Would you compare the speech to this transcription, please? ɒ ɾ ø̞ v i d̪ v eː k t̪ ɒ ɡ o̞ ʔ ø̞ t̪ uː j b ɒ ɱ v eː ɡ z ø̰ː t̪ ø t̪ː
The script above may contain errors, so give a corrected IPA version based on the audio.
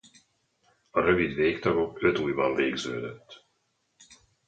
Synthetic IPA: ɒ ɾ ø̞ v i d̪ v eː k t̪ ɒ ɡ o̞ k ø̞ t̪ uː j b ɒ ɱ v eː ɡ z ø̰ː d̪ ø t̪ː

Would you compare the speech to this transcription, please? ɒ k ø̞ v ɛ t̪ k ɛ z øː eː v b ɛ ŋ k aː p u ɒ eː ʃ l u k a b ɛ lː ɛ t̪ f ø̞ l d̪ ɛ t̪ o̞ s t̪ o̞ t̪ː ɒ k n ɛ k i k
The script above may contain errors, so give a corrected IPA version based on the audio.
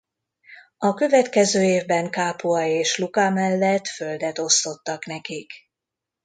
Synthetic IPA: ɒ k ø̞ v ɛ t̪ k ɛ z øː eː v b ɛ ŋ k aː p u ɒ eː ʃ l u k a m ɛ lː ɛ t̪ f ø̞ l d̪ ɛ t̪ o̞ s t̪ o̞ t̪ː ɒ k n ɛ k i k

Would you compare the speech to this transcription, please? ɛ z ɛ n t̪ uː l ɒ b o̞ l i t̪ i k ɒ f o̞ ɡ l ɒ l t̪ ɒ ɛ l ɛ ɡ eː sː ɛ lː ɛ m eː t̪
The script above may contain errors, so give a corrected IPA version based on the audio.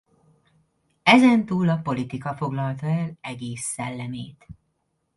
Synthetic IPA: ɛ z ɛ n t̪ uː l ɒ p o̞ l i t̪ i k ɒ f o̞ ɡ l ɒ l t̪ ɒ ɛ l ɛ ɡ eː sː ɛ lː ɛ m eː t̪

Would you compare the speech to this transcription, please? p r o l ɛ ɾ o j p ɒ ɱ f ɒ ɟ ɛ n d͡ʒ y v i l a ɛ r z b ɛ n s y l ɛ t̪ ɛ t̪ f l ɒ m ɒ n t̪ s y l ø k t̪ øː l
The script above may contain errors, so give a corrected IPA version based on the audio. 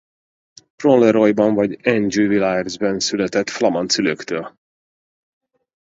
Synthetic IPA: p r o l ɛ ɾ o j b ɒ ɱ v ɒ ɟ ɛ n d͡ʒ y v i l a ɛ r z b ɛ n s y l ɛ t̪ ɛ t̪ f l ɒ m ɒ n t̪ s y l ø k t̪ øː l

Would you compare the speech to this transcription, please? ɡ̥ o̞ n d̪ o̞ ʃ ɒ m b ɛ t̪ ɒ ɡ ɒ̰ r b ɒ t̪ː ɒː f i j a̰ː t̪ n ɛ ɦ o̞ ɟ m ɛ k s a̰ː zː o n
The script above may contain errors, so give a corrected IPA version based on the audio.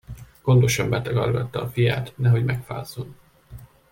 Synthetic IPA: ɡ̥ o̞ n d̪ o̞ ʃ ɒ m b ɛ t̪ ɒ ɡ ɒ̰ r ɡ ɒ t̪ː ɒː f i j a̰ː t̪ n ɛ ɦ o̞ ɟ m ɛ k f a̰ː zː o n

